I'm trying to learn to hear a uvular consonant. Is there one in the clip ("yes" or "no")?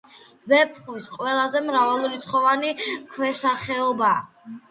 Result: yes